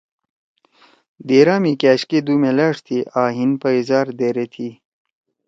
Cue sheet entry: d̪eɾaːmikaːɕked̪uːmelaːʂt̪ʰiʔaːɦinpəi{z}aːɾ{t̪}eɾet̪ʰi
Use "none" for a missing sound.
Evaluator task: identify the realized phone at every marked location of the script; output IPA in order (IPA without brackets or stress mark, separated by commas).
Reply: z, d̪